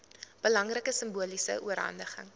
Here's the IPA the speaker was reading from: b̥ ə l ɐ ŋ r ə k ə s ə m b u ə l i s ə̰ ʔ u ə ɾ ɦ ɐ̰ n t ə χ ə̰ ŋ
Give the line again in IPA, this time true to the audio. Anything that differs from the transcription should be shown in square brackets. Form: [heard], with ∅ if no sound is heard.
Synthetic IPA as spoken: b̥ ə l ɐ ŋ r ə k ə s ə m b u ə l i s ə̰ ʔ u ə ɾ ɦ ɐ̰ n [d] ə χ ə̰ ŋ